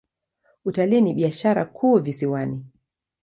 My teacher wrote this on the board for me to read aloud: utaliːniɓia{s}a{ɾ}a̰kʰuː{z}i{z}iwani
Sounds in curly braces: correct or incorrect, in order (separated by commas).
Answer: incorrect, correct, incorrect, incorrect